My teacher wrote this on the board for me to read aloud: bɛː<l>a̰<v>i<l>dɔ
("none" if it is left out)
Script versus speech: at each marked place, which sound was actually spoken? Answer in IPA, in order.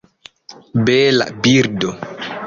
l, b, ɾ

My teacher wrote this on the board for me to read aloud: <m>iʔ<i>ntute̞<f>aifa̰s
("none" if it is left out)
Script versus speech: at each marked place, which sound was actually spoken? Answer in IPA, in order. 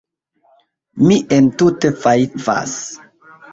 m, e, f

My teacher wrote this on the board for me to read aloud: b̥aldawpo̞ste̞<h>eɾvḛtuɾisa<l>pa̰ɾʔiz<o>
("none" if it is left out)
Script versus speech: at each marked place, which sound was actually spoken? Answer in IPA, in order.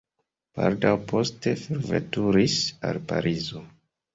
f, l, o

